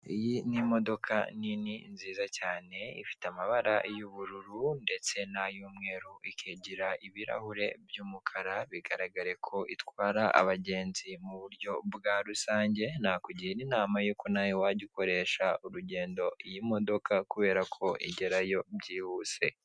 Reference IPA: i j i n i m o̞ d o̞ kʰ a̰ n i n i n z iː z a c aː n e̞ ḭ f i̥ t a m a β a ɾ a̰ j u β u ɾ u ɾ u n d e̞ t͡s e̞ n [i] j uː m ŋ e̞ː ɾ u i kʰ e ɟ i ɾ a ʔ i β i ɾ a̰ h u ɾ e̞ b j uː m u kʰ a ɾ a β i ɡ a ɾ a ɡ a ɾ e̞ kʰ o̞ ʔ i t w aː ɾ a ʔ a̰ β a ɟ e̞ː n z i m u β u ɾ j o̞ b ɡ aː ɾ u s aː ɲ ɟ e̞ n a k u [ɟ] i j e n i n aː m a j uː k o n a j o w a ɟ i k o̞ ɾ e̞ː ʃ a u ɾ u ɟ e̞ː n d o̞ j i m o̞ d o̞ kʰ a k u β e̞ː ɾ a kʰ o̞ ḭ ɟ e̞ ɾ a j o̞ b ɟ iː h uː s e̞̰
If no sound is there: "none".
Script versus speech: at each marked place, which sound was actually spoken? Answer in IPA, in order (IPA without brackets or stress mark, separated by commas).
a, ɟ